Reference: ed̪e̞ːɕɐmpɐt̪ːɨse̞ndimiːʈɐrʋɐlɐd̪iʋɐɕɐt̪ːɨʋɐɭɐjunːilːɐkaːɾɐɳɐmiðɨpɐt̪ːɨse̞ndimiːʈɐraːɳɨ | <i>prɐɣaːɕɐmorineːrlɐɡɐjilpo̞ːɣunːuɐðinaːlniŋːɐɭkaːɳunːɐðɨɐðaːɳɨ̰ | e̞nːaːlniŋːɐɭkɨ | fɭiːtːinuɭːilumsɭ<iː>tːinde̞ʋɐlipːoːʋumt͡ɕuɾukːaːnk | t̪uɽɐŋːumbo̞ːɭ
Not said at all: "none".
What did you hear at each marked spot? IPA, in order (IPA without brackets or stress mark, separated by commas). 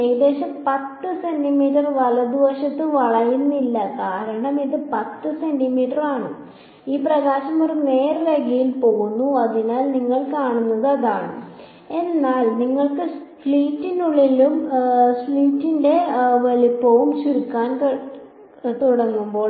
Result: iː, iː